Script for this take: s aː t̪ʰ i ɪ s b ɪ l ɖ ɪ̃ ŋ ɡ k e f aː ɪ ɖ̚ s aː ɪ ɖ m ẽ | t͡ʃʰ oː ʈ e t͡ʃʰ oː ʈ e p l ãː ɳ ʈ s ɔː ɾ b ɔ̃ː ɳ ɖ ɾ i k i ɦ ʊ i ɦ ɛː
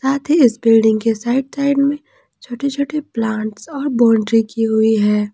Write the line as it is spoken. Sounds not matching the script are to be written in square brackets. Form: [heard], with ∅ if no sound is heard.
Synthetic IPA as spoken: s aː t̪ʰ i ɪ s b ɪ l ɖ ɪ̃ ŋ ɡ k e [s] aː ɪ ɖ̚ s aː ɪ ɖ m ẽ | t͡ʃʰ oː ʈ e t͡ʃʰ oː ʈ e p l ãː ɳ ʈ s ɔː ɾ b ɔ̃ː ɳ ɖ ɾ i k i ɦ ʊ i ɦ ɛː